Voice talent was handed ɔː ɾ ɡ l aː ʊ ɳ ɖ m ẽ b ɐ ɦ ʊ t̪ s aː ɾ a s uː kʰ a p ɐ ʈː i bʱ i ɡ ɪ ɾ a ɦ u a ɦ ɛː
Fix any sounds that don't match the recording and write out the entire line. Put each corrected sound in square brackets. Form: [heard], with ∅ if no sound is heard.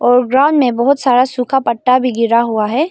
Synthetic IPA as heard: ɔː ɾ ɡ [ɾ] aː ʊ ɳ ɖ m ẽ b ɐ ɦ ʊ t̪ s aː ɾ a s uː kʰ a p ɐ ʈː [a] bʱ i ɡ ɪ ɾ a ɦ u a ɦ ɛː